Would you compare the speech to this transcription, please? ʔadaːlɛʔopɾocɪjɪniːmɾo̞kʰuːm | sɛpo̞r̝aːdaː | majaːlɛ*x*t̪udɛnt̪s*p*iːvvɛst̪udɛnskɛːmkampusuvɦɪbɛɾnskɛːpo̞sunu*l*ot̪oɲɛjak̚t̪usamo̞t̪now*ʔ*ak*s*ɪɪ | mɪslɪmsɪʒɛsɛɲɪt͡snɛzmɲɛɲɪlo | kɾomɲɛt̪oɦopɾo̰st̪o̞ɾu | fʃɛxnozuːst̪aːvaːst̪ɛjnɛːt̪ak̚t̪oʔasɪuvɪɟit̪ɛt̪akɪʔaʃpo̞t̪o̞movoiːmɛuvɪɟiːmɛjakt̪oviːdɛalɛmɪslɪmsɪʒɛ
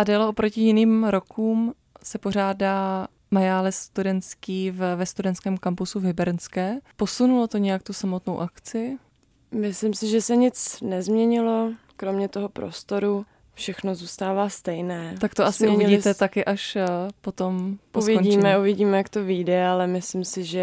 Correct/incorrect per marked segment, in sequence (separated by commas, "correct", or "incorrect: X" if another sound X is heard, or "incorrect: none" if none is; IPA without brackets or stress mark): incorrect: s, incorrect: k, correct, correct, incorrect: t͡s